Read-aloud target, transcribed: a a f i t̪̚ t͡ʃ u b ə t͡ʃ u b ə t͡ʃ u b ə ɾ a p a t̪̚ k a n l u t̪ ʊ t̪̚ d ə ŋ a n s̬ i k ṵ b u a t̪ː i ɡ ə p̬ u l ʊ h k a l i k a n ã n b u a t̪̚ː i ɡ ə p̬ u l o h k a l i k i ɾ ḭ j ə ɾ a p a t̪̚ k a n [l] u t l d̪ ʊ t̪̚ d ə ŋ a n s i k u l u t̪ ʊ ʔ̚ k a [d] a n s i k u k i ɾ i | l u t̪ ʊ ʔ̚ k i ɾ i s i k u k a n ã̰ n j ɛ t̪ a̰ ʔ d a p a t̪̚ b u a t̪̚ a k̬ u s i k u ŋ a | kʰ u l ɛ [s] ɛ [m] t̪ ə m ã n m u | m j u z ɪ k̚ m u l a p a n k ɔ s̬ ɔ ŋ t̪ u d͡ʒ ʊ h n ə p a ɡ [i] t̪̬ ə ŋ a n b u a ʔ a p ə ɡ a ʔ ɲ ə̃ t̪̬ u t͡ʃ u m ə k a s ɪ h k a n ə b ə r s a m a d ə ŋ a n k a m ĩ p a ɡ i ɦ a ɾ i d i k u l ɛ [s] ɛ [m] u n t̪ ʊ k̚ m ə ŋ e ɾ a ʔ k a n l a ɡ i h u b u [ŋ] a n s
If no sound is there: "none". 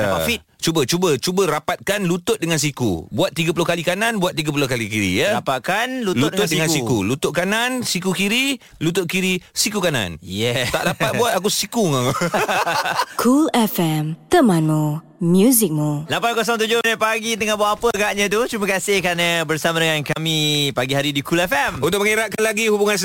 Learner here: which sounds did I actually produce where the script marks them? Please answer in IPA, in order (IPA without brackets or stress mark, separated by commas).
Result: l, n, f, m, i, f, m, ŋ